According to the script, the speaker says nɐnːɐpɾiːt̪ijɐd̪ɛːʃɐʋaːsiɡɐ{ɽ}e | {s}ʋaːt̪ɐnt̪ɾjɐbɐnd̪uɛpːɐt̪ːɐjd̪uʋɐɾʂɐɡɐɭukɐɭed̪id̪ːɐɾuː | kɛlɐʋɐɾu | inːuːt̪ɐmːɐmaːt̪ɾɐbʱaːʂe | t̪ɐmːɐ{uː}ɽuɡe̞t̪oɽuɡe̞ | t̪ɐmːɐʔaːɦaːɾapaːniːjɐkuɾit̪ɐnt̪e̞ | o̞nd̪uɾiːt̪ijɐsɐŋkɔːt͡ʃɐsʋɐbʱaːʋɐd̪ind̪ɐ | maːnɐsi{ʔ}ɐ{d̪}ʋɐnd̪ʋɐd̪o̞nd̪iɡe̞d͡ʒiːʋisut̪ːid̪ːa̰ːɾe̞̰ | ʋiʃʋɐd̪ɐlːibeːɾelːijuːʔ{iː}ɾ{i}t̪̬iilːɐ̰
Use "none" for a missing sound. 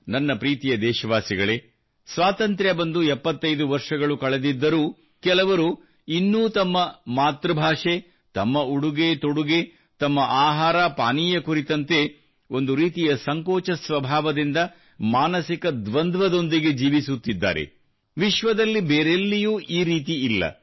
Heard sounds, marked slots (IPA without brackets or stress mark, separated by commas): ɭ, s, u, k, d̪, iː, iː